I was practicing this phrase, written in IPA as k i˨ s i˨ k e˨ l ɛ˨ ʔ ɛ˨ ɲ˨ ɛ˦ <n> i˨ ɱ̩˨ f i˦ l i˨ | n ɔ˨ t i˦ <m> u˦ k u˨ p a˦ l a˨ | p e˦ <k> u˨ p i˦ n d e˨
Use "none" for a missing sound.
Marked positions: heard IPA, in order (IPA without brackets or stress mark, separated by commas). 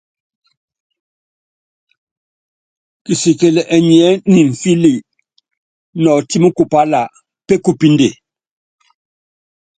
n, m, k